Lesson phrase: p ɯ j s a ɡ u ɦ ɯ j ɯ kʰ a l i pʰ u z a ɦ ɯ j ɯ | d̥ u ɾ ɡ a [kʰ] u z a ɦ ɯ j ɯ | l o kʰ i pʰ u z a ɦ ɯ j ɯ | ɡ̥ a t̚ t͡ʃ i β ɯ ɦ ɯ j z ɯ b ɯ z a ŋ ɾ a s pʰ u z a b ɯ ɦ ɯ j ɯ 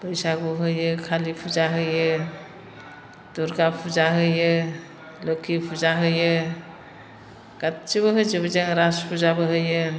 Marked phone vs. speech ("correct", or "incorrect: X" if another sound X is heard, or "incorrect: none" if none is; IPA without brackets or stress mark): incorrect: pʰ